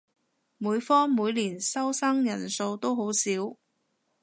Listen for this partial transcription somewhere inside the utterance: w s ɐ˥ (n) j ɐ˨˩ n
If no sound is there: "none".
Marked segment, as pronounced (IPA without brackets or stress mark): ŋ